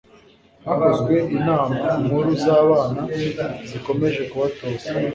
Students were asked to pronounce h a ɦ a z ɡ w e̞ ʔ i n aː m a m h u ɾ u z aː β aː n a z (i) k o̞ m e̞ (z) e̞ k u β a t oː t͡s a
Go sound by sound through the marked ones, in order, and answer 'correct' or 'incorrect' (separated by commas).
correct, incorrect